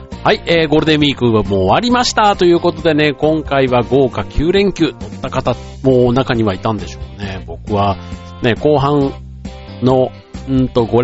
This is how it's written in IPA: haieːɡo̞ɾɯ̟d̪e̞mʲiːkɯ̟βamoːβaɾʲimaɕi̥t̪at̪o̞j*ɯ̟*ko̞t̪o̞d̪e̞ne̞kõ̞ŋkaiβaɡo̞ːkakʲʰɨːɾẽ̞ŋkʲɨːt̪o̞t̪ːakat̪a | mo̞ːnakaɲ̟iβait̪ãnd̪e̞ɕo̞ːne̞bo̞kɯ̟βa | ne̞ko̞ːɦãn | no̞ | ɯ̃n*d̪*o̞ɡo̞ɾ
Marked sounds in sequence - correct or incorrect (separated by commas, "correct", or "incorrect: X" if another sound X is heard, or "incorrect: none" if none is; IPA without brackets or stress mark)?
incorrect: ɯ̟ː, incorrect: t̪